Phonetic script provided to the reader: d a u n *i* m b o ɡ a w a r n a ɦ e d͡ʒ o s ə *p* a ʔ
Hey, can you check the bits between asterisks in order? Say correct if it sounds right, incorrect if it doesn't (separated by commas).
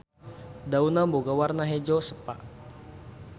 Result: incorrect, correct